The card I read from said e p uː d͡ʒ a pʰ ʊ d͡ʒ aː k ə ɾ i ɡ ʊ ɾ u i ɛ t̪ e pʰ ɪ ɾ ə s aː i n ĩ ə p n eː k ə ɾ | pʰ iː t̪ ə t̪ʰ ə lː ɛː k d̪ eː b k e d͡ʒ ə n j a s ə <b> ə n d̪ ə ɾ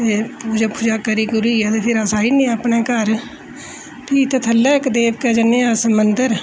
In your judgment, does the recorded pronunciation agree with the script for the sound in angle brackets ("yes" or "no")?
no